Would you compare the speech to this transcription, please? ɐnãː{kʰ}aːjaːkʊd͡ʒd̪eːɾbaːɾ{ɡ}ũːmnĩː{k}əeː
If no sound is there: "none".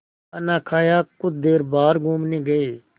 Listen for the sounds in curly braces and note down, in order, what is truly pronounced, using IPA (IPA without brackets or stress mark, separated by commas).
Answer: kʰ, ɡ, ɡ